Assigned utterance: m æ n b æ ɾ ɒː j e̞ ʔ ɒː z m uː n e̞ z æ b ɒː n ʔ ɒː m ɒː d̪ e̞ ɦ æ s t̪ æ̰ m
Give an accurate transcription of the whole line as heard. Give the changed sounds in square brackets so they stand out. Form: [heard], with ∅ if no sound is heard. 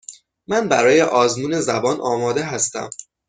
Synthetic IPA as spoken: m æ n b æ ɾ ɒː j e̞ ʔ ɒː z m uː n e̞ z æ b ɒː n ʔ ɒː m ɒː d̪ e̞ ɦ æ s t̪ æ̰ m